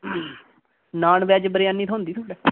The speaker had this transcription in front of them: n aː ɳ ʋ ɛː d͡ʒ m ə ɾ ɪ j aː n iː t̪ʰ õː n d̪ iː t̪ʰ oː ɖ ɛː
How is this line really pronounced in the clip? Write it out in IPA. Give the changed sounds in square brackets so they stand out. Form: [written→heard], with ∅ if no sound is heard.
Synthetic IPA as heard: n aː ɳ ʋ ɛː d͡ʒ [m→b] ə ɾ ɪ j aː n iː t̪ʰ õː n d̪ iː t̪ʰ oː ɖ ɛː